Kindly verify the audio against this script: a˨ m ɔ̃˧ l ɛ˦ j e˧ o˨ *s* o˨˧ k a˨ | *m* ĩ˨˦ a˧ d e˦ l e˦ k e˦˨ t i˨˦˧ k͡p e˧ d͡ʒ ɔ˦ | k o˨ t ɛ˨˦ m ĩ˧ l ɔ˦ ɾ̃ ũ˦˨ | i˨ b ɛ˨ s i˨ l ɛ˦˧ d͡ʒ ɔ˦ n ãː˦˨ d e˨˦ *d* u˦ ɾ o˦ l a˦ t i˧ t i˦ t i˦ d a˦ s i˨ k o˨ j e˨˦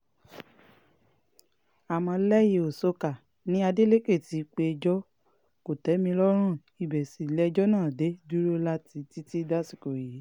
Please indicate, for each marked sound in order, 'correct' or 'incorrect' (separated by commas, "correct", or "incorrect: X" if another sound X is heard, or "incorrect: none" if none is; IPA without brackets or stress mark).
correct, incorrect: n, correct